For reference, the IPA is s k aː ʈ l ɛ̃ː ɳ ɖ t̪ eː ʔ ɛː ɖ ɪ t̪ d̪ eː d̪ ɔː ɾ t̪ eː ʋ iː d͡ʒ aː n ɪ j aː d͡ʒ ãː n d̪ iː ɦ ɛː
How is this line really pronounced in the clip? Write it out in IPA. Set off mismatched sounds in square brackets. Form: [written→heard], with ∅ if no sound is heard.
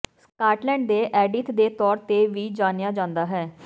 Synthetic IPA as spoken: s k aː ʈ l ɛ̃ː ɳ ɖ [t̪→d̪] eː ʔ ɛː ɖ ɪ t̪ d̪ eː [d̪→t̪] ɔː ɾ t̪ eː ʋ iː d͡ʒ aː n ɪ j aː d͡ʒ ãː n d̪ [iː→aː] ɦ ɛː